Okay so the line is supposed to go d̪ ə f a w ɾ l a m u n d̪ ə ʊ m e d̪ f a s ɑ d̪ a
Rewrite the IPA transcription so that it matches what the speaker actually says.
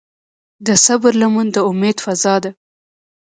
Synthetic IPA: d̪ ə s a b ɾ l a m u n d̪ ə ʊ m e d̪ f a z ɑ d̪ a